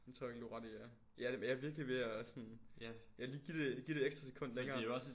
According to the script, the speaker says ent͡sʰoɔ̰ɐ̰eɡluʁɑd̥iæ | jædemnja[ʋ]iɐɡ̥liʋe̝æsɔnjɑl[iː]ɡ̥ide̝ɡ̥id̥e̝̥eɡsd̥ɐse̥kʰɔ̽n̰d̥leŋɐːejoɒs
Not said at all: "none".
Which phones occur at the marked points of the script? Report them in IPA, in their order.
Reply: ʋ, iː

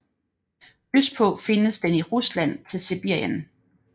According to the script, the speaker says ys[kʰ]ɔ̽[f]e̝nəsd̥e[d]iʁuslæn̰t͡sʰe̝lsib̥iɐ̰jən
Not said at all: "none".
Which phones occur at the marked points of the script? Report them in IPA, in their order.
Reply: pʰ, f, n

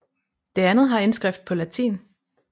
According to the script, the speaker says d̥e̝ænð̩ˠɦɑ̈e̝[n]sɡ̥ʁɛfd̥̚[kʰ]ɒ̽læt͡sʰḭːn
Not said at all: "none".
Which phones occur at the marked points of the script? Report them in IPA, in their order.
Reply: n, pʰ

